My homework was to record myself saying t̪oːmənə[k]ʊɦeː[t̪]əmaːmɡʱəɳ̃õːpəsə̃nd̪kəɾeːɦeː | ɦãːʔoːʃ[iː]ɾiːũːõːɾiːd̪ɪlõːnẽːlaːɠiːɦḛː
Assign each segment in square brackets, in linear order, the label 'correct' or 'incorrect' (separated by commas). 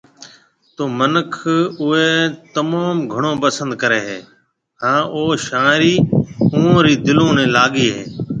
incorrect, correct, incorrect